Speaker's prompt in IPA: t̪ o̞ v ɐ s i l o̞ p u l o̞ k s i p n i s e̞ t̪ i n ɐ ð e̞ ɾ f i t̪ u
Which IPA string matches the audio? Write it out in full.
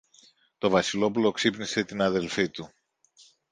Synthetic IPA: t̪ o̞ v ɐ s i l o̞ p u l o̞ k s i p n i s e̞ t̪ i n ɐ ð e̞ l f i t̪ u

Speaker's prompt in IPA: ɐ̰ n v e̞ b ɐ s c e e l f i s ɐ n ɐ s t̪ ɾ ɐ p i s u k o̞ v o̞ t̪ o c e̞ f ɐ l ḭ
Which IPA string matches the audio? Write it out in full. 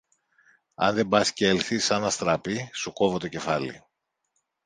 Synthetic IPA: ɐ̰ n ð e̞ b ɐ s c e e l θ i s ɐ n ɐ s t̪ ɾ ɐ p i s u k o̞ v o̞ t̪ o c e̞ f ɐ l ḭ

